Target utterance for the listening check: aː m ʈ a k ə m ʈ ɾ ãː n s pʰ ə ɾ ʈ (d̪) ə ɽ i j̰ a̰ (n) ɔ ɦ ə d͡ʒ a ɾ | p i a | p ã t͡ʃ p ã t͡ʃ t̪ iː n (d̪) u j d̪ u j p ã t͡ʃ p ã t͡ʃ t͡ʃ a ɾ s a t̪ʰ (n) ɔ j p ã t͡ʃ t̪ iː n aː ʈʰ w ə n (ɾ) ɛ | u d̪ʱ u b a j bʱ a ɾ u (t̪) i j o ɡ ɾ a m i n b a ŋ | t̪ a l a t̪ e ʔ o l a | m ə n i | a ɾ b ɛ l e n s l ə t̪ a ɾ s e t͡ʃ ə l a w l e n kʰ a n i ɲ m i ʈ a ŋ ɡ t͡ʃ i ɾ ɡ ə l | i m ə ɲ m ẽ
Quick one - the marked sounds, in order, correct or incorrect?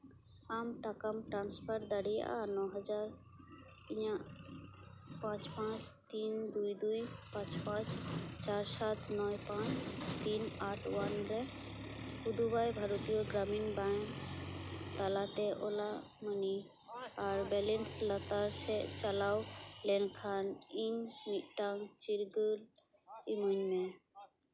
correct, correct, correct, correct, correct, correct

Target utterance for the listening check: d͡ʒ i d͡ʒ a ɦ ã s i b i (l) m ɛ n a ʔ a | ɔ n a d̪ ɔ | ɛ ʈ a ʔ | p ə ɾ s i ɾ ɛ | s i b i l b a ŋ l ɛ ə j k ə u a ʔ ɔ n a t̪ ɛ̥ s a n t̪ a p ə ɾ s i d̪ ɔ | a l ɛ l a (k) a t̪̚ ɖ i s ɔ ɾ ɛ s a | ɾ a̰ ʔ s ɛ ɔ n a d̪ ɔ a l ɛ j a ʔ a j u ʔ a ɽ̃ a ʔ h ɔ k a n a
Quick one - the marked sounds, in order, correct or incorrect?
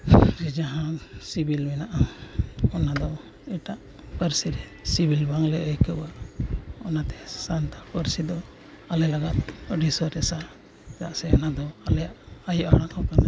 correct, incorrect

